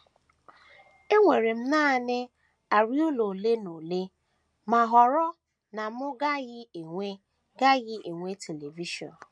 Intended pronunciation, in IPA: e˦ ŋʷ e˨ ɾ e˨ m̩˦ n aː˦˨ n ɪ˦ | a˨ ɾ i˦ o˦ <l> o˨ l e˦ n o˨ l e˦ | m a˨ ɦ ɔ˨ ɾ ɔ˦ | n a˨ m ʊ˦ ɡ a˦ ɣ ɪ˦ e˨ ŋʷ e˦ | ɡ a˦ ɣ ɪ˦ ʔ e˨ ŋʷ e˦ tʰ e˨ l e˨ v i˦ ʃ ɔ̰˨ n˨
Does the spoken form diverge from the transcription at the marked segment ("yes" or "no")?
no